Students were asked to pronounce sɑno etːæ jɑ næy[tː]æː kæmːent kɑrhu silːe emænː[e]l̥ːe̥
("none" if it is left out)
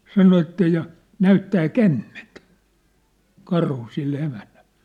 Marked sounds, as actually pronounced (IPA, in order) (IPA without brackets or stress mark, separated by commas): tː, æ